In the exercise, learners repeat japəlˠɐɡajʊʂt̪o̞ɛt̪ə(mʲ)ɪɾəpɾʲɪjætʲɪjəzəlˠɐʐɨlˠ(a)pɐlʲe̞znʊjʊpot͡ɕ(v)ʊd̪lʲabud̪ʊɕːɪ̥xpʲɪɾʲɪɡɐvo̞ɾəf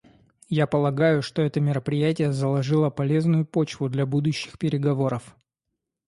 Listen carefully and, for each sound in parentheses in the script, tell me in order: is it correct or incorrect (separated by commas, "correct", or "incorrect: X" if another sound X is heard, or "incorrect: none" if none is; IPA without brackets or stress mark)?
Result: correct, incorrect: ə, correct